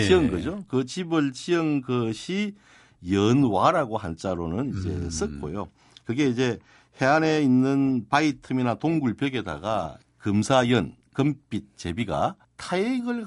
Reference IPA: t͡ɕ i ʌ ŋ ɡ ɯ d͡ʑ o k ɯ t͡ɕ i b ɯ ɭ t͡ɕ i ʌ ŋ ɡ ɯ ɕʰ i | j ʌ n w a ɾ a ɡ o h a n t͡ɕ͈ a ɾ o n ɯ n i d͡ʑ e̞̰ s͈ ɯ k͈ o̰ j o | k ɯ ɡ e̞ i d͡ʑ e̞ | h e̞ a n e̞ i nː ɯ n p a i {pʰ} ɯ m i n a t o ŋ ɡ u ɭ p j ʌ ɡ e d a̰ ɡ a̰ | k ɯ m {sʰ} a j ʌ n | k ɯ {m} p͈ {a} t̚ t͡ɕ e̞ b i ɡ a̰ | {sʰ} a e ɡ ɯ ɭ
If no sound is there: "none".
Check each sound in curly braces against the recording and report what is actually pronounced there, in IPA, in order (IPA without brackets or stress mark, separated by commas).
tʰ, sʰ, m, i, tʰ